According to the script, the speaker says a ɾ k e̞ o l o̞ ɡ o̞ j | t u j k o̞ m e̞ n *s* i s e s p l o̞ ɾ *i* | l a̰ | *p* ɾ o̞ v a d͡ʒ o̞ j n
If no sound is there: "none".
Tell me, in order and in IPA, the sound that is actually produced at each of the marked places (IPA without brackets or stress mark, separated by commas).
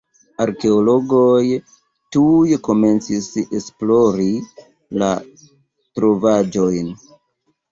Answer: t͡s, i, t